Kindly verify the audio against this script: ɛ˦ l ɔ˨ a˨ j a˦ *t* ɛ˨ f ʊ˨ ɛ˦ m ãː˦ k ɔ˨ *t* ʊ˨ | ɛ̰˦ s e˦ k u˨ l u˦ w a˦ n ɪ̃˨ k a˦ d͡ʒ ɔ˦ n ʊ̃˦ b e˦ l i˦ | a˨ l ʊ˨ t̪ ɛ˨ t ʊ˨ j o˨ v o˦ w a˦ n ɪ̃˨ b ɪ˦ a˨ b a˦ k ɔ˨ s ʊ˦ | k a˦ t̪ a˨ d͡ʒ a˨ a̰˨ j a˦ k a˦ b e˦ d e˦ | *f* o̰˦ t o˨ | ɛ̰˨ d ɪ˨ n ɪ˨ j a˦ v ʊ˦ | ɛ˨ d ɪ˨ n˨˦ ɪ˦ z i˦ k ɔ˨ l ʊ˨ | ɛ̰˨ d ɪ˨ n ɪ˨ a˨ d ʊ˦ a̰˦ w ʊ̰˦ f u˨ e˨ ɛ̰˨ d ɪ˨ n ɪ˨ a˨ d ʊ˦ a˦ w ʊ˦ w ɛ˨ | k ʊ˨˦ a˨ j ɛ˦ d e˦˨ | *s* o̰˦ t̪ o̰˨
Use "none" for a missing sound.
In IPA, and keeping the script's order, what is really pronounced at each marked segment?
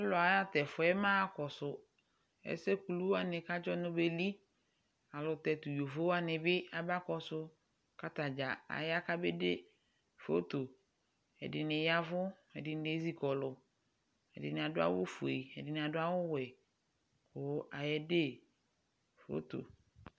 t, s, f, f

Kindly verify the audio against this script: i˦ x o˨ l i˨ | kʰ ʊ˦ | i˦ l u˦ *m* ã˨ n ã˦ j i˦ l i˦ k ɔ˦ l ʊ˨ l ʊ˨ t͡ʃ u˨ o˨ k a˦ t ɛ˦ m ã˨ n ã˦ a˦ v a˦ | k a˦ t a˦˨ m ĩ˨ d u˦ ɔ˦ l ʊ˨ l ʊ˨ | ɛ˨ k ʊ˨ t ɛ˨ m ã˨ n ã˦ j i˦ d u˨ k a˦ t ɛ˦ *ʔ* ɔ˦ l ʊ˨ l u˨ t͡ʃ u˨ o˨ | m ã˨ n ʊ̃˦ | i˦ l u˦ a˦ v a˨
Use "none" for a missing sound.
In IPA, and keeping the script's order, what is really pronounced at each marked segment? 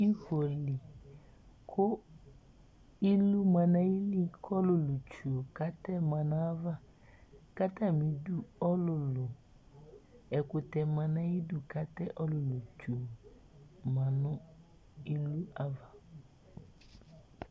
m, ʔ

